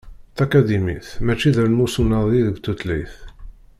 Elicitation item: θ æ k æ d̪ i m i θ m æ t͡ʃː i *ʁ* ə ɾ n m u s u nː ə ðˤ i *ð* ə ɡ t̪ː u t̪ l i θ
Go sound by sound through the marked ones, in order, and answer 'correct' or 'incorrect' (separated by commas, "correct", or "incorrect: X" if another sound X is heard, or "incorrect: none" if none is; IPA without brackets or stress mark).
incorrect: ð, correct